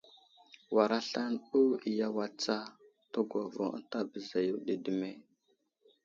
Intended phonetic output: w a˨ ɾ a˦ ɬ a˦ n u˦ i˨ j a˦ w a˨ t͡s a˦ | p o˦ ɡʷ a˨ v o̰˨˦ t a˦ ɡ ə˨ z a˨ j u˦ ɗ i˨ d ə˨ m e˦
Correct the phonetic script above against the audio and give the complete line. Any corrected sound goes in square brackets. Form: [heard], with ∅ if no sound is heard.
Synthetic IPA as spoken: w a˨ ɾ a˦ ɬ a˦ n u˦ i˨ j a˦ w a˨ t͡s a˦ | [t] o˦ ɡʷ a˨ v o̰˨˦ t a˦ [b] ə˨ z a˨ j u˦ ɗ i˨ d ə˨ m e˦